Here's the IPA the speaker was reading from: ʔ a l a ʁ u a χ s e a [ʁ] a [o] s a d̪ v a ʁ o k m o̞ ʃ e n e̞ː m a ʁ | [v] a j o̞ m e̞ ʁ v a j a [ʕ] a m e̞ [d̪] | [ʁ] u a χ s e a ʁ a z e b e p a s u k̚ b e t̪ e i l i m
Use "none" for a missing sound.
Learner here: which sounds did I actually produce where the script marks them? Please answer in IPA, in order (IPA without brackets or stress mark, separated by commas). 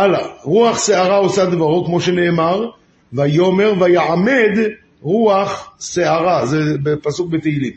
ʁ, o, v, ʕ, d̪, ʁ